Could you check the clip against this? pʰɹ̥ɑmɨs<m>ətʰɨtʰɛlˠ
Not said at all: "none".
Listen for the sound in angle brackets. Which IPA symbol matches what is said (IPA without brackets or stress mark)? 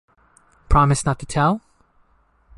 n